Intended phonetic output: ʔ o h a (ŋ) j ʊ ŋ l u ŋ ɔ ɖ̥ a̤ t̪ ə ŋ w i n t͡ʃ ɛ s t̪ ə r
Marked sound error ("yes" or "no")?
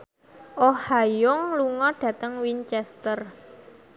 yes